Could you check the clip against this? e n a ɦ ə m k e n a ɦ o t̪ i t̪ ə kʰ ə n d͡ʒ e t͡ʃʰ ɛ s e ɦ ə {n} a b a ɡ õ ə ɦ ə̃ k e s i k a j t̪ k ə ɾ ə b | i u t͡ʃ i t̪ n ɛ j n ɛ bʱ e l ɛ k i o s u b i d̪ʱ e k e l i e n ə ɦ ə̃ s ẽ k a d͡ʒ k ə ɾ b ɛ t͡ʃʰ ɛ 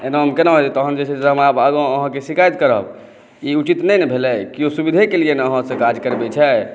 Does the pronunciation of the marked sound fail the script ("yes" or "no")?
yes